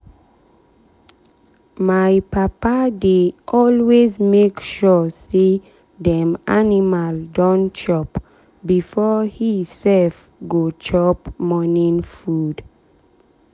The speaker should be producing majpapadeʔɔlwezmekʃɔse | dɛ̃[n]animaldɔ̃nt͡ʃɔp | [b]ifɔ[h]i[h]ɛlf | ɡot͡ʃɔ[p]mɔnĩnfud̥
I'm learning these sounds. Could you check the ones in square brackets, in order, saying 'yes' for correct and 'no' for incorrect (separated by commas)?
no, yes, yes, no, yes